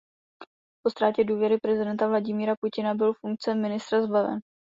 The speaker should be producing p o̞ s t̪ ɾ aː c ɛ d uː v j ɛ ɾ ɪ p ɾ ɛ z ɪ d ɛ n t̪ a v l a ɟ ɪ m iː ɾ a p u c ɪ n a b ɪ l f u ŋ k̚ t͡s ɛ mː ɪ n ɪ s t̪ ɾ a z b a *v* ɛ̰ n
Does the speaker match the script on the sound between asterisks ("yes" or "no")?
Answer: yes